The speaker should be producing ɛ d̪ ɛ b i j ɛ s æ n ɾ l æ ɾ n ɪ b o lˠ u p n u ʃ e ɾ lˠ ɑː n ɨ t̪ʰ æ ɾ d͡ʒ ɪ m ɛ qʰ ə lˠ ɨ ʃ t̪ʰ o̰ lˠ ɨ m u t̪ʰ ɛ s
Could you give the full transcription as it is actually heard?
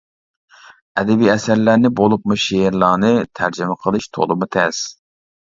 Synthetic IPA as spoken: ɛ d̪ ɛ b i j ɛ s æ ɾ l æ ɾ n ɪ b o lˠ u p m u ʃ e ɾ lˠ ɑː n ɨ t̪ʰ æ ɾ d͡ʒ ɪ m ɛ qʰ ə lˠ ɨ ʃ t̪ʰ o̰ lˠ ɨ m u t̪ʰ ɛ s